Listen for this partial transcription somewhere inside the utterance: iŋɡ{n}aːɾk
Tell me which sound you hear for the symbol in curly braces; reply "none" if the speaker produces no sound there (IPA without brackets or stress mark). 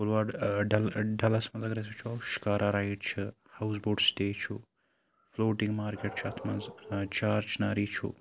m